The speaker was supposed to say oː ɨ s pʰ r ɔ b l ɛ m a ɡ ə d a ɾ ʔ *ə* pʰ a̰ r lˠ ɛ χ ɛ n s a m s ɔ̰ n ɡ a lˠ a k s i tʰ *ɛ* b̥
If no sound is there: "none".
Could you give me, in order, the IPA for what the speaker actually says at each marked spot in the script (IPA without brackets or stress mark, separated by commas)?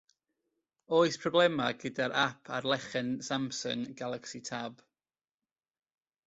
a, a